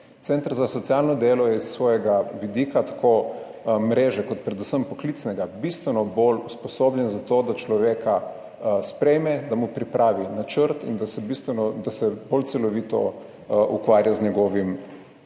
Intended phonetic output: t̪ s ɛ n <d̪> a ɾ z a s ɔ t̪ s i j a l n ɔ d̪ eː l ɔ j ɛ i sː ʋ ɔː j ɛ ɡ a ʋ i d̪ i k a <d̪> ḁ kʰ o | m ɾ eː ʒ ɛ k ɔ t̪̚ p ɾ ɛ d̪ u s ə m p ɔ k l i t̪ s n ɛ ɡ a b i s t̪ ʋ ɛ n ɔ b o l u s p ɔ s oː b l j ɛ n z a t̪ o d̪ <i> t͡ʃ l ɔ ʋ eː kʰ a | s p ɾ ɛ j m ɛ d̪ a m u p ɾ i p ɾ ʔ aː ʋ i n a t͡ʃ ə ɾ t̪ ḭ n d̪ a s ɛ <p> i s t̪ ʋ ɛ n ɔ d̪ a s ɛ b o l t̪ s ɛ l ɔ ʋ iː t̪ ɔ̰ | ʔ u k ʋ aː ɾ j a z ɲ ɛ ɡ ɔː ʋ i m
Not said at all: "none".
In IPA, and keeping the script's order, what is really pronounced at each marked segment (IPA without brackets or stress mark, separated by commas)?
t̪, t̪, a, b